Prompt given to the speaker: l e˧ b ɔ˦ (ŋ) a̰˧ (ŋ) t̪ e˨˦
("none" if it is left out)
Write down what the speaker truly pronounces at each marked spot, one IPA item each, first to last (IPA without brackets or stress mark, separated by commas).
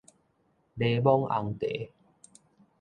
ŋ, ŋ